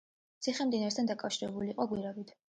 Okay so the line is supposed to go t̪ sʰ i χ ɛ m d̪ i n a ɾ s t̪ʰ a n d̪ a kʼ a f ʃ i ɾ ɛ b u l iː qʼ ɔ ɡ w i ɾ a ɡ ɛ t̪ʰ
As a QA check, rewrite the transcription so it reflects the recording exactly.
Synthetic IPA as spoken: t̪ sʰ i χ ɛ m d̪ i n a ɾ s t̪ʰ a n d̪ a kʼ a f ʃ i ɾ ɛ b u l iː qʼ ɔ ɡ w i ɾ a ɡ i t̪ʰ